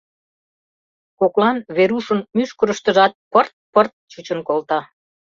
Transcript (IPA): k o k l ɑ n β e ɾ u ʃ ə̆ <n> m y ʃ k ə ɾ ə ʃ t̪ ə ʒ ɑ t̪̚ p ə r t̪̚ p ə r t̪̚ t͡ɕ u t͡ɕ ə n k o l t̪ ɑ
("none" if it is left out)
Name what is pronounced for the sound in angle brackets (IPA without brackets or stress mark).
n